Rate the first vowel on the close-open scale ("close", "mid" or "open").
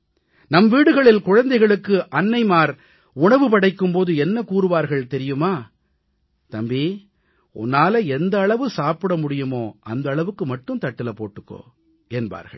open